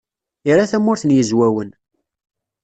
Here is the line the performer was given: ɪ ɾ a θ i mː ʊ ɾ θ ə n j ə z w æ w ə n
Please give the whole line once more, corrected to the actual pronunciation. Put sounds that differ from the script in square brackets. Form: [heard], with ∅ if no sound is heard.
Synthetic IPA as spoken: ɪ ɾ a θ [æ] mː ʊ ɾ θ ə n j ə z w æ w ə n